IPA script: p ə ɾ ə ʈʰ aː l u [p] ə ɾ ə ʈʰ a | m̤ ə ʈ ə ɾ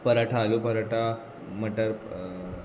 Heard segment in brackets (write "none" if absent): p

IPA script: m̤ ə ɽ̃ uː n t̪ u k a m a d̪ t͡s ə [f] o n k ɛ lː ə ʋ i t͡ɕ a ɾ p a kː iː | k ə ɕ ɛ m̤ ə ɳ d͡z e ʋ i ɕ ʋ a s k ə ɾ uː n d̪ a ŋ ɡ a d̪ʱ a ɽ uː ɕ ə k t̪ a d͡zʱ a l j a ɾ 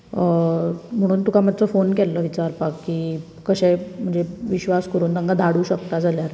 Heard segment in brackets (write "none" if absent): f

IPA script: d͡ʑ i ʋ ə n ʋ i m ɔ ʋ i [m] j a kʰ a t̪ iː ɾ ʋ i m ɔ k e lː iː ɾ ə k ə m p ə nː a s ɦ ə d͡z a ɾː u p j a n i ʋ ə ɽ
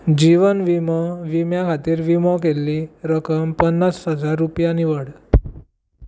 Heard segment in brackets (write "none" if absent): m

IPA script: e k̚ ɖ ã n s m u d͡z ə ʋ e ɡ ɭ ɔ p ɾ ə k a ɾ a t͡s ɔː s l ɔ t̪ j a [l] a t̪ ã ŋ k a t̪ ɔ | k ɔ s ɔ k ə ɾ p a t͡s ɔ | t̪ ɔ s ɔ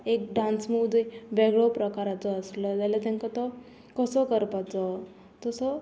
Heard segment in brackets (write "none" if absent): l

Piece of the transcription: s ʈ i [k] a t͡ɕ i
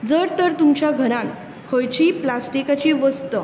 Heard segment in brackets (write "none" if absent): k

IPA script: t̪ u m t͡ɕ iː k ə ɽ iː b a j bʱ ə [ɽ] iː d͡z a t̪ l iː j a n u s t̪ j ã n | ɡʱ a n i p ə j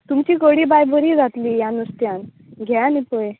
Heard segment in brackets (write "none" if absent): ɾ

